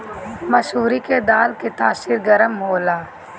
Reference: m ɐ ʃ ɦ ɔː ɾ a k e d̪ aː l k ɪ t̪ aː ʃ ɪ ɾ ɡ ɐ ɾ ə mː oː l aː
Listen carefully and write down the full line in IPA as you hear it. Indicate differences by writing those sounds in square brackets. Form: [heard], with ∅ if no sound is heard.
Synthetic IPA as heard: m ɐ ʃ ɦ [uː] ɾ [i] k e d̪ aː l k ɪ t̪ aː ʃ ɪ ɾ ɡ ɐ ɾ ə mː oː l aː